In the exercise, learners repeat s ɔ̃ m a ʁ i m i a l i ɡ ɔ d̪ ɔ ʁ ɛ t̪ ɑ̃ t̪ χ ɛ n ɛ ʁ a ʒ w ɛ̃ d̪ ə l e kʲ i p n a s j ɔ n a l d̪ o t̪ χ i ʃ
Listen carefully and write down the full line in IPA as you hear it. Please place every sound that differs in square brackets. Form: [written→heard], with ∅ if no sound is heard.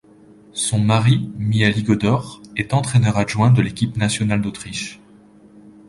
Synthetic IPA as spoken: s ɔ̃ m a ʁ i m i a l i ɡ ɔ d̪ ɔ ʁ ɛ t̪ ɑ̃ t̪ χ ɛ n [ɛ→œ] ʁ a ʒ w ɛ̃ d̪ ə l e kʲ i p n a s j ɔ n a l d̪ o t̪ χ i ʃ